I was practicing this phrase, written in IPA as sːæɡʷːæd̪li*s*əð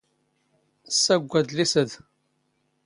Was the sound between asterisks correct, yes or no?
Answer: yes